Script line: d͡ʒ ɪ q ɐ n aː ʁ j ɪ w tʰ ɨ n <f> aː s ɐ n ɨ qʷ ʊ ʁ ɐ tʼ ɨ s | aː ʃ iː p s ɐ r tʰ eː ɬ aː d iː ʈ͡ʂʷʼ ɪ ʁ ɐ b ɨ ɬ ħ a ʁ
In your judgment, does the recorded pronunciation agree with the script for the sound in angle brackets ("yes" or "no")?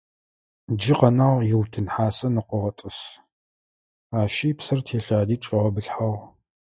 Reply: no